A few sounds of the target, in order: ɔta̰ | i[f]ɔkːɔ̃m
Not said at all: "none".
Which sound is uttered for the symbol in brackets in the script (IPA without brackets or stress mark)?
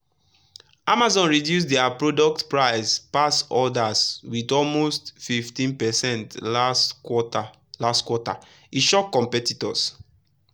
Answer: ʃ